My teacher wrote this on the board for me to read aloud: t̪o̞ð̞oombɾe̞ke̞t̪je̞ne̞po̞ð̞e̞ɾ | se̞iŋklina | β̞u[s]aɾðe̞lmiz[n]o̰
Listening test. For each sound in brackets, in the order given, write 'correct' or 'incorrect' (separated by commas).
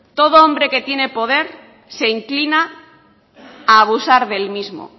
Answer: correct, incorrect